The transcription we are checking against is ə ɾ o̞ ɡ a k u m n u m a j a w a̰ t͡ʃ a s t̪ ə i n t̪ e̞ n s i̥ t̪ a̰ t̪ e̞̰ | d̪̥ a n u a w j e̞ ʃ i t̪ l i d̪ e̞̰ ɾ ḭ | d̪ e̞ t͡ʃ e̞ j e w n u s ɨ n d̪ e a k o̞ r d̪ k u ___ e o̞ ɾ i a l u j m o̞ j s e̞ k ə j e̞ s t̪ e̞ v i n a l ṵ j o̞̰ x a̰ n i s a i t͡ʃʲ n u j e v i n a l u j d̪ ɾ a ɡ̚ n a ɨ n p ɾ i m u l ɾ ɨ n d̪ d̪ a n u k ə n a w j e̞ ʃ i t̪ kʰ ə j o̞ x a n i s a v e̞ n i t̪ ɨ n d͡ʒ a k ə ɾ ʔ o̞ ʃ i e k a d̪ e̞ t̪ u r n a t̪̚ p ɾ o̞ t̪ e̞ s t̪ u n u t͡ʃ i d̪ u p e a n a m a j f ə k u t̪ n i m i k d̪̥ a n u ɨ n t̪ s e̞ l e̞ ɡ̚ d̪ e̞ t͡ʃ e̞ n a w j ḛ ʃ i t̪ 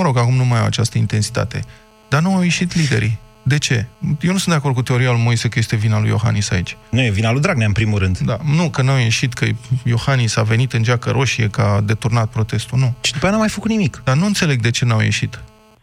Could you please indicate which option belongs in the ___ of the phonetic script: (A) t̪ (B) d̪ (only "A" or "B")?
A